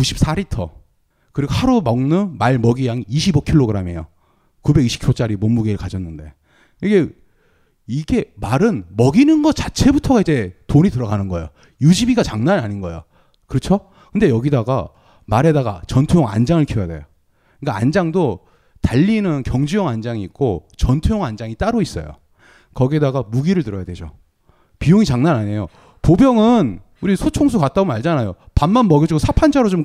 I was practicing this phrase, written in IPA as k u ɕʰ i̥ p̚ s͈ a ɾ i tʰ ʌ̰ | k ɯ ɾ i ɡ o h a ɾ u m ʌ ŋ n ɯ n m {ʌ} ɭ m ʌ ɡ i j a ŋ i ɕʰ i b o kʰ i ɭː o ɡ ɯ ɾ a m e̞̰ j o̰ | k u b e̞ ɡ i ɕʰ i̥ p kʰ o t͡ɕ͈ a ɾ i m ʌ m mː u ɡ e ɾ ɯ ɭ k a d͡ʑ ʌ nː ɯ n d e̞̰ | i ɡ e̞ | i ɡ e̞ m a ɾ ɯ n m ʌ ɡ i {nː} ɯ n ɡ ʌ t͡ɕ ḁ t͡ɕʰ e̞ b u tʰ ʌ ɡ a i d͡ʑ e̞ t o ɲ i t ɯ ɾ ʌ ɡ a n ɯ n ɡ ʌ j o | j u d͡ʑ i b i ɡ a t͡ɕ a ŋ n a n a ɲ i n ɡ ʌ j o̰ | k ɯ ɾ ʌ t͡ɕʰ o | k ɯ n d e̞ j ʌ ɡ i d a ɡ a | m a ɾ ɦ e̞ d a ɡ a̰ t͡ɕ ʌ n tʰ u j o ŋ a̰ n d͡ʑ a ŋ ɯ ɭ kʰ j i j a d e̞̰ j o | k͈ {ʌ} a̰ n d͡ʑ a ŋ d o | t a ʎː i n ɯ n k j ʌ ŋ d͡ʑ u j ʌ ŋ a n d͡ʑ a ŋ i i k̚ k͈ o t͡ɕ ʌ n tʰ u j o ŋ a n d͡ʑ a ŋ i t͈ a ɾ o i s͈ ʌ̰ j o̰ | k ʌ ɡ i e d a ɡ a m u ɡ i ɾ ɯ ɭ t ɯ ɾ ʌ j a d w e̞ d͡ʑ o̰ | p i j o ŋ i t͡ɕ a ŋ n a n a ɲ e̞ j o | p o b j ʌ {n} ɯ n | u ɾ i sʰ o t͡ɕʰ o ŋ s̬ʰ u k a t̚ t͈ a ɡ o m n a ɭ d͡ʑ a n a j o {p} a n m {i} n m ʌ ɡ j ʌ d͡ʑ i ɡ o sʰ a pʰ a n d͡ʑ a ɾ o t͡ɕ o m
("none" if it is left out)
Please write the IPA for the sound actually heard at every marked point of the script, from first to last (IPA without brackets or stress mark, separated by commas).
a, n, a, ŋ, p, a